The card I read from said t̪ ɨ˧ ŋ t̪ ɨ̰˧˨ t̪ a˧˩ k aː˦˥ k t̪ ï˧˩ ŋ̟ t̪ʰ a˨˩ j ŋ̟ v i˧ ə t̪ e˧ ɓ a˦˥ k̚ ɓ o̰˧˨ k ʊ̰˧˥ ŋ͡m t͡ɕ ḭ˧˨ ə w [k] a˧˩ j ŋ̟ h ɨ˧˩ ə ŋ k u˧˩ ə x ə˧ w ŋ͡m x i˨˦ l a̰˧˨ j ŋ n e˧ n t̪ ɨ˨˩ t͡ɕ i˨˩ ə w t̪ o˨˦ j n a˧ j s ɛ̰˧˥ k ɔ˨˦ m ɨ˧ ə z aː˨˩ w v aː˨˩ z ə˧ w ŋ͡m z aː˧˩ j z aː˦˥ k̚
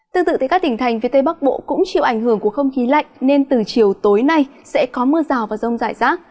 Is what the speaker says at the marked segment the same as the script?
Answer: no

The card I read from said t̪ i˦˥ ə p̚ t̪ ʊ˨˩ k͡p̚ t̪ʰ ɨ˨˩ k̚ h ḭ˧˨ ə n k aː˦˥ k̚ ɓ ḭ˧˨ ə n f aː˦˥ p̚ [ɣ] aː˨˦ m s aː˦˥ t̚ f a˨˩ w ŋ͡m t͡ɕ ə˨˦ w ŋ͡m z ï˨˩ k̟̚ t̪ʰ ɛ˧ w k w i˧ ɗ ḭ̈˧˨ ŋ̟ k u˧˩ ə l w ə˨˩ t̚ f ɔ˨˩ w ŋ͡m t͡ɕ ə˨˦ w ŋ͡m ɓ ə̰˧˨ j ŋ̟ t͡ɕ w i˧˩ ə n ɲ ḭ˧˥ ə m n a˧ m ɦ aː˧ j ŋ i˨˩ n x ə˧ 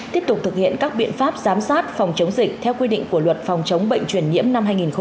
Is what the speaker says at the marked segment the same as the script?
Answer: no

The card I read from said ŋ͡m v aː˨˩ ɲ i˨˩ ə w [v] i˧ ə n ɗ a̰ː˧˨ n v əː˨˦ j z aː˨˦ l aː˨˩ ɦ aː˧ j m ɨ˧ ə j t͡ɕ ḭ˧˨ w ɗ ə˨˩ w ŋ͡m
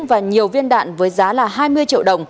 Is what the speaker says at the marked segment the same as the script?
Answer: yes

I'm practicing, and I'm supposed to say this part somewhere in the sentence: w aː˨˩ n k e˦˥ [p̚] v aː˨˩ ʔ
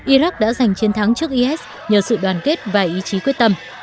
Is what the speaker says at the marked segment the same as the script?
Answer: no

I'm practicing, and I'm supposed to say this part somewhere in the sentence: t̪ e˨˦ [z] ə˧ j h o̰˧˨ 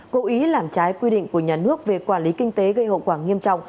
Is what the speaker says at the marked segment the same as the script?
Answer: no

